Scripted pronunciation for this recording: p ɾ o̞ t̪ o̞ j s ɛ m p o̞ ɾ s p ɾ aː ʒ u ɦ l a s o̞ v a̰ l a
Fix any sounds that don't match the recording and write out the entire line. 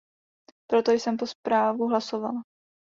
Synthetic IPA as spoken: p ɾ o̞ t̪ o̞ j s ɛ m p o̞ s p ɾ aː v u ɦ l a s o̞ v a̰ l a